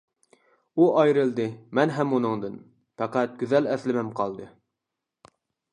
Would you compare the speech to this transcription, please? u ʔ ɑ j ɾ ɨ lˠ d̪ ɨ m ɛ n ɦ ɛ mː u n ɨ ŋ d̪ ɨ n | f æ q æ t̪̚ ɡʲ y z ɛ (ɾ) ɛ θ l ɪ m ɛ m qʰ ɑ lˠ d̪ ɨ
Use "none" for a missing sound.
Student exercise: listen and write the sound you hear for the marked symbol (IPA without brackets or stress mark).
l